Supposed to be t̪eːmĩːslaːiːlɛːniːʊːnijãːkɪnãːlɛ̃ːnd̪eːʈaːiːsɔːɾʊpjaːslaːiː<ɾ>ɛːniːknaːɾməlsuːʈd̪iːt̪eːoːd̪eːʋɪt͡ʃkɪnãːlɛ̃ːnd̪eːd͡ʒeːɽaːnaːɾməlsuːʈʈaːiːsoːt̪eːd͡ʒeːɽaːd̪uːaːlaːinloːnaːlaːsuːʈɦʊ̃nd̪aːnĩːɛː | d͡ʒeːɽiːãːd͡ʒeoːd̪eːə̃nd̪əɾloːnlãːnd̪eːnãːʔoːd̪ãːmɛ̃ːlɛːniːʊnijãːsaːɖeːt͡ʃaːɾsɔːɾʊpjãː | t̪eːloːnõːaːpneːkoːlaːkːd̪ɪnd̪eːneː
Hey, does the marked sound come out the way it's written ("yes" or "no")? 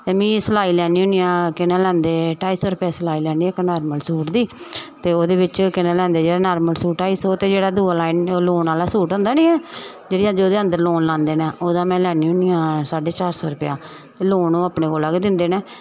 no